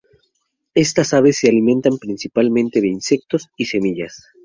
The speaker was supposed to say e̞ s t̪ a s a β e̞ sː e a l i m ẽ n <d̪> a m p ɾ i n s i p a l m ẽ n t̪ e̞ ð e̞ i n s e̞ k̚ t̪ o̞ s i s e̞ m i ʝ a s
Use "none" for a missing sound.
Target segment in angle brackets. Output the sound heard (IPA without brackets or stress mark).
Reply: t̪